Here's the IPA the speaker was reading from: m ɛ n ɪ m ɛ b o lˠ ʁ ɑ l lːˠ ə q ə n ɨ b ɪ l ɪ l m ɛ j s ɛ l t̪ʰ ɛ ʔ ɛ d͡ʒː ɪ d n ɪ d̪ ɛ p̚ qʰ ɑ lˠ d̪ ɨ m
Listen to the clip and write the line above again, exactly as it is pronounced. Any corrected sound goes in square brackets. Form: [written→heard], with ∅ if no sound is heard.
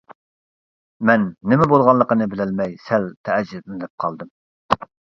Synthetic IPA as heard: m ɛ [n→nː] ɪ m ɛ b o lˠ ʁ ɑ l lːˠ ə q ə n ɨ b ɪ l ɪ l m ɛ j s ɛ l t̪ʰ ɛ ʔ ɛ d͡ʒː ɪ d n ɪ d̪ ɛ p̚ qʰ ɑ lˠ d̪ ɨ m